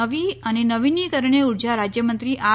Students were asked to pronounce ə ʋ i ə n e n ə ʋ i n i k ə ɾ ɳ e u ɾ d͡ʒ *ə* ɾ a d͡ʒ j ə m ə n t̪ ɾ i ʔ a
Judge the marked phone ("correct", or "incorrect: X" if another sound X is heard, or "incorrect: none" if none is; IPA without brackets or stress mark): incorrect: a